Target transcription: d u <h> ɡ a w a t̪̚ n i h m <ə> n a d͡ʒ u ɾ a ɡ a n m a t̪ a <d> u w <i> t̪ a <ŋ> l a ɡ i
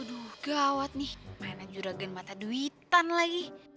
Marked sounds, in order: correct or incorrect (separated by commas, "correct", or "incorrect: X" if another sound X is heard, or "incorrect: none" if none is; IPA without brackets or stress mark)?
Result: correct, incorrect: a, correct, correct, incorrect: n